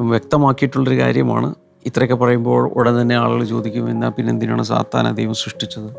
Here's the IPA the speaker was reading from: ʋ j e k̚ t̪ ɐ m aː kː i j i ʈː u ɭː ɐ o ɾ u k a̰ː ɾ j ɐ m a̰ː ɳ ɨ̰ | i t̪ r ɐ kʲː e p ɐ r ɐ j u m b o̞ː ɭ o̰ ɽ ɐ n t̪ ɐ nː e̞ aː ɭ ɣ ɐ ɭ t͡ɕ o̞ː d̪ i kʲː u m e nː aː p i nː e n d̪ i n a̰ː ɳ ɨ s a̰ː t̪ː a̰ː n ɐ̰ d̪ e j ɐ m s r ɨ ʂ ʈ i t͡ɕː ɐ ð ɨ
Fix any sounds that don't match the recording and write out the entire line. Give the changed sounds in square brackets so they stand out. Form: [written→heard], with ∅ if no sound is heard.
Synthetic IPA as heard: ʋ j e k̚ t̪ ɐ m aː kː i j i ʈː u ɭː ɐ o ɾ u k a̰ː ɾ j ɐ m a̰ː ɳ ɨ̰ | i t̪ r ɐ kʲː e p ɐ r ɐ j u m b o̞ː ɭ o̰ ɽ ɐ n t̪ ɐ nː e̞ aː ɭ ɣ ɐ ɭ t͡ɕ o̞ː d̪ i kʲː u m e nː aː p i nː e n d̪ i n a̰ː ɳ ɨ s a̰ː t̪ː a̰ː n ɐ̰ d̪ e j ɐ m s r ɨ ʂ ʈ i t͡ɕː ɐ ð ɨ